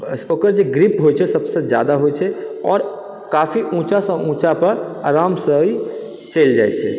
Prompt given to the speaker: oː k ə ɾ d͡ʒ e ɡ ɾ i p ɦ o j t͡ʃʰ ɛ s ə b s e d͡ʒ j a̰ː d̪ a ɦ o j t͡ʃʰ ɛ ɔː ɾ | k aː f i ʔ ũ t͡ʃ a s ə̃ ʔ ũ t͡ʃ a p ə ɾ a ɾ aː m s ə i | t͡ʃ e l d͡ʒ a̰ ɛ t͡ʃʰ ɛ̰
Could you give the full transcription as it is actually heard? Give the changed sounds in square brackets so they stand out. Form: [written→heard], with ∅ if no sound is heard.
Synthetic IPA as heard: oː k ə ɾ d͡ʒ e ɡ ɾ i p ɦ o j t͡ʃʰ ɛ s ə b s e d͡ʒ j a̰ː d̪ a ɦ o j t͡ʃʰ ɛ ɔː ɾ | k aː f i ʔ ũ t͡ʃ a s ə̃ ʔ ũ t͡ʃ a p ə ɾ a ɾ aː m s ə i | t͡ʃ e l d͡ʒ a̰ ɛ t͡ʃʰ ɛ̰